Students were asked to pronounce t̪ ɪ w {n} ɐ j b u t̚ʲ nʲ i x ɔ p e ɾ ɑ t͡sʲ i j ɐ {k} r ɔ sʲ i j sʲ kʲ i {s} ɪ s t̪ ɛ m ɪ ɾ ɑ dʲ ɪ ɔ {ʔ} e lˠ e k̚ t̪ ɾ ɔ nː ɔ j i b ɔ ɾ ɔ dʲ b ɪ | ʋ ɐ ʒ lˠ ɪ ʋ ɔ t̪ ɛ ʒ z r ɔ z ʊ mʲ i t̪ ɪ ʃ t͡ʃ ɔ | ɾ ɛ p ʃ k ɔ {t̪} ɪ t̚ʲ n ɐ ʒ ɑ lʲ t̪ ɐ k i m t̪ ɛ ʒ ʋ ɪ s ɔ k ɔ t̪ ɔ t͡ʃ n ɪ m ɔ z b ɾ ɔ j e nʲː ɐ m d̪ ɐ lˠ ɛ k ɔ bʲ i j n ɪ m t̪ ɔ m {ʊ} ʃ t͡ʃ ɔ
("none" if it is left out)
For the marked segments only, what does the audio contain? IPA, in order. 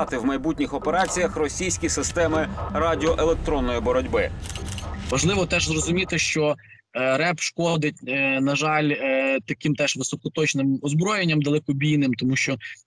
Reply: m, x, s, ʔ, d̪, u

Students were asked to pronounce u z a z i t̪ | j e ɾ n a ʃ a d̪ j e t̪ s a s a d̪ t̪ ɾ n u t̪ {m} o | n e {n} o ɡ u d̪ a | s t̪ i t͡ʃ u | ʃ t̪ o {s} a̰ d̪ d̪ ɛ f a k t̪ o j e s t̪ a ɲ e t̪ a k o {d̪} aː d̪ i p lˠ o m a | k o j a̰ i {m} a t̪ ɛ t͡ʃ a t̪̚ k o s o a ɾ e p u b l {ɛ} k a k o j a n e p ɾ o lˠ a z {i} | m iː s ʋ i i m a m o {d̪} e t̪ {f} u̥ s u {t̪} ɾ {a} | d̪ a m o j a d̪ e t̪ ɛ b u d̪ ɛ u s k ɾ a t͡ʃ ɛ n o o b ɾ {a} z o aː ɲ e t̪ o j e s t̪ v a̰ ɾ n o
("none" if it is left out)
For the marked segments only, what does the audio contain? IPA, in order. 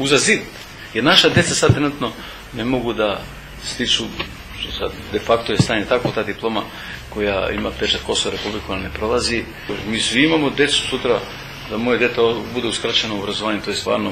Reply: n, m, s, t̪, m, i, i, d̪, s, t̪, a, a

